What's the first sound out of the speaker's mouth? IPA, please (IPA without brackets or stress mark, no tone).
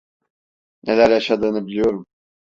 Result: n